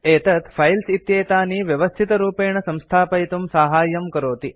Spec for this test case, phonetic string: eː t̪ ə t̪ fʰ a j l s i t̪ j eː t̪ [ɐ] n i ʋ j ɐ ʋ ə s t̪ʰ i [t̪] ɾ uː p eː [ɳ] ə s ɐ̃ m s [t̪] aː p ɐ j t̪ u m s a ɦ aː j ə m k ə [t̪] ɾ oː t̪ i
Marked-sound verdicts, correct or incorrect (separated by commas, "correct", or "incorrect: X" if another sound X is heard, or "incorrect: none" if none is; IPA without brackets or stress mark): incorrect: a, correct, correct, incorrect: t̪ʰ, incorrect: none